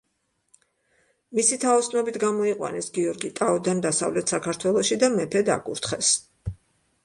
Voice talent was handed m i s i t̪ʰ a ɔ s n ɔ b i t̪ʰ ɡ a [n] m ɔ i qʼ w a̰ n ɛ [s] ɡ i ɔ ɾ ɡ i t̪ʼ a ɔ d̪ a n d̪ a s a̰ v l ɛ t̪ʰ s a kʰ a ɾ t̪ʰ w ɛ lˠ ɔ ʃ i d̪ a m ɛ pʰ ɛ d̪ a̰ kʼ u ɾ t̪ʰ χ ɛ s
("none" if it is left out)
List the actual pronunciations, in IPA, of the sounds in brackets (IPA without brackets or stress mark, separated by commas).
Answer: none, s